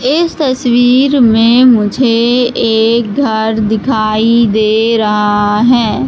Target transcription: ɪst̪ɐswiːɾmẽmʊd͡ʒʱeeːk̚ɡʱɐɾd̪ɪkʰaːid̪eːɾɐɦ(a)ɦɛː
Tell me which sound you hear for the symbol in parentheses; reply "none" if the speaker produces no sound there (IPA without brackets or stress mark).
a